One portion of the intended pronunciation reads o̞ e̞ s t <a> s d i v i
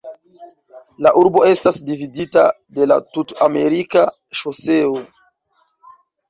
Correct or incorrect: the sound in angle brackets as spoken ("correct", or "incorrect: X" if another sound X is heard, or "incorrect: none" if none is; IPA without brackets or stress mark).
correct